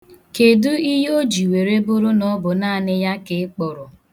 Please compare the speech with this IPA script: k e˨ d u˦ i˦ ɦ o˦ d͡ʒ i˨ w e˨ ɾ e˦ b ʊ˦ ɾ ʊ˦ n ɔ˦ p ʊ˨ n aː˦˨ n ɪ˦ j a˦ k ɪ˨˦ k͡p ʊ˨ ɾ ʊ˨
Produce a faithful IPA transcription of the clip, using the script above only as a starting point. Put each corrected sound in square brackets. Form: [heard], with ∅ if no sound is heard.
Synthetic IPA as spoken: k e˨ d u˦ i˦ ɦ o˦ d͡ʒ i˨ w e˨ ɾ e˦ b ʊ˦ ɾ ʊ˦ n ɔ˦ [b] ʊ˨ n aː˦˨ n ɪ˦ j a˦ k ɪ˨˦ k͡p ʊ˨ ɾ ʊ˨